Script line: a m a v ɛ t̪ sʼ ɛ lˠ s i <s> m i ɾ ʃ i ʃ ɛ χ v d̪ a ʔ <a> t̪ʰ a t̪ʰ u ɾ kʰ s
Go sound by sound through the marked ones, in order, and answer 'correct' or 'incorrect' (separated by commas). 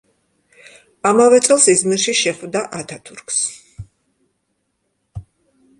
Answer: incorrect, correct